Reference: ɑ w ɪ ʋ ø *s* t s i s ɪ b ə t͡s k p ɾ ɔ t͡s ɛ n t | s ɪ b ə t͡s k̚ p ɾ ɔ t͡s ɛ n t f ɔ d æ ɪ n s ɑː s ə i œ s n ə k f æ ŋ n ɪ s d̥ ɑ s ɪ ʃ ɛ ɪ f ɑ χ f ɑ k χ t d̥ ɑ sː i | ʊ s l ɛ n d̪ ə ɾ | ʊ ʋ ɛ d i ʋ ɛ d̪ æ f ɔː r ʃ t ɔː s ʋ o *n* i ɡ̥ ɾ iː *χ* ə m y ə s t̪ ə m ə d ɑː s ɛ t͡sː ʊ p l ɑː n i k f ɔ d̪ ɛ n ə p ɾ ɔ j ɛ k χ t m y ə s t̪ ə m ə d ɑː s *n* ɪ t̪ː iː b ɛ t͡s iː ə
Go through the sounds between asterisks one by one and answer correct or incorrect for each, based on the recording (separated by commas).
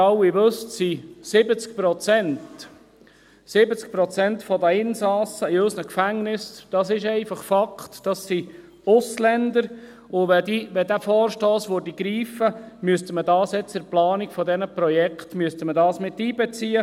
correct, incorrect, incorrect, incorrect